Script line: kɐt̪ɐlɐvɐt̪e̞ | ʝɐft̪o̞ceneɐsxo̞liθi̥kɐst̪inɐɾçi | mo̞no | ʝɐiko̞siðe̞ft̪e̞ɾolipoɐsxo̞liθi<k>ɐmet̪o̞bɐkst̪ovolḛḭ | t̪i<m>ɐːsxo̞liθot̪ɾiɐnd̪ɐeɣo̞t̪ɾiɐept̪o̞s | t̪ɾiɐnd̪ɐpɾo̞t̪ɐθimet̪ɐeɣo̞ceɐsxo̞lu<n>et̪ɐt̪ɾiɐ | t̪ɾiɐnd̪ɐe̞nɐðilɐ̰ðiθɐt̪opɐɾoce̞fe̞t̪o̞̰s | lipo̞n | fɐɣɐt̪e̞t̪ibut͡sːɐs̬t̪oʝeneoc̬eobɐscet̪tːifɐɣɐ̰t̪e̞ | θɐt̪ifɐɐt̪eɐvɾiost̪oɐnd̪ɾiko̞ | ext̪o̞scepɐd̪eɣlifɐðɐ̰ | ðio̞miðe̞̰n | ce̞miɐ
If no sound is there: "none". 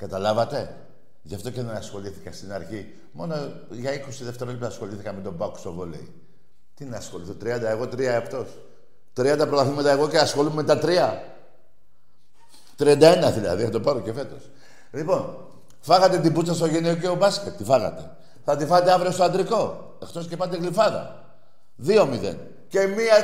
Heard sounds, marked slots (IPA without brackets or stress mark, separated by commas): k, n, m